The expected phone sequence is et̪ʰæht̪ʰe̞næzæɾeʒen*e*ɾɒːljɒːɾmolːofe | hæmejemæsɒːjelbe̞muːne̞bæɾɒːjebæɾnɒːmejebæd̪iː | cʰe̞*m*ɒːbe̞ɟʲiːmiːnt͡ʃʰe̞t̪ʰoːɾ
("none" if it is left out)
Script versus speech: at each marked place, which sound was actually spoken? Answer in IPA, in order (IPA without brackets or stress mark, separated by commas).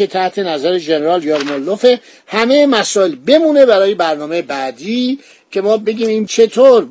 e, m